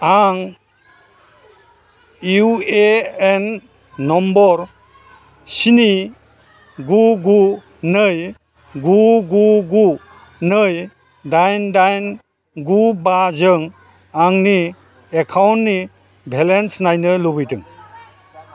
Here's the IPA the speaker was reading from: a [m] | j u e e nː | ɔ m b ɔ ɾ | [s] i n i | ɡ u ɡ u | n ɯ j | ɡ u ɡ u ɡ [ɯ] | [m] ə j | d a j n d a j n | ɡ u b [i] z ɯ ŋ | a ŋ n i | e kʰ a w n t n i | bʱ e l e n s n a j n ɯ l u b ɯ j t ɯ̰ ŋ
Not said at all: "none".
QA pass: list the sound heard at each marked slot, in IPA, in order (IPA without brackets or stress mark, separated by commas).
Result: ŋ, s, u, n, a